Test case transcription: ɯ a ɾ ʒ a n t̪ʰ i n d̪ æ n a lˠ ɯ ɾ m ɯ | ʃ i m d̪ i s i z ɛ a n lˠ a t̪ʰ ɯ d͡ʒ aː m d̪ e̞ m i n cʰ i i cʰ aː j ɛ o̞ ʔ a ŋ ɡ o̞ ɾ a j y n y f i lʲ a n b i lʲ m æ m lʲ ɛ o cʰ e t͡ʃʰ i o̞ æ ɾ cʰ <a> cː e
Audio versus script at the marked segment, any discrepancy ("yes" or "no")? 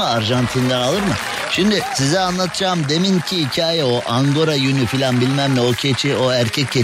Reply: yes